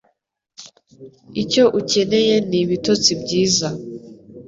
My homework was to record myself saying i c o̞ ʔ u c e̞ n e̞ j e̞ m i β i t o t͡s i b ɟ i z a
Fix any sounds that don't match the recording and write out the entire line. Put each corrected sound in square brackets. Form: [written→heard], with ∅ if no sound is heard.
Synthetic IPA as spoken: i c o̞ ʔ u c e̞ n e̞ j e̞ [m→n] i β i t o t͡s i b ɟ [i→iː] z a